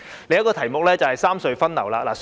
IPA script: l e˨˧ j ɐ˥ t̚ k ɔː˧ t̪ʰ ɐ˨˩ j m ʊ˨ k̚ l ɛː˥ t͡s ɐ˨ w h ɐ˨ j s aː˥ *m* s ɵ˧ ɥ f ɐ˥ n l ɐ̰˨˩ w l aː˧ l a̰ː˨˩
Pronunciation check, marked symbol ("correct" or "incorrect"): correct